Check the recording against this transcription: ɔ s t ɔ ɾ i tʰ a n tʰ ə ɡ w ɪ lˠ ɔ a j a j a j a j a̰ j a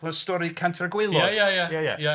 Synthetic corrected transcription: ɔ s t ɔ ɾ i kʰ a n tʰ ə ɡ w ɪ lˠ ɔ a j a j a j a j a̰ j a